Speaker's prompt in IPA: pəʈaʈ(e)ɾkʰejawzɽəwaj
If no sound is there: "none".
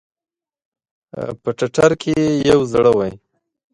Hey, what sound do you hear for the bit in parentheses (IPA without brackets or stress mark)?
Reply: a